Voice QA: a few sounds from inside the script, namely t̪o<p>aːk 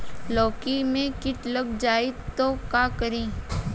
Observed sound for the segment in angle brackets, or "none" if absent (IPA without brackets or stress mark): k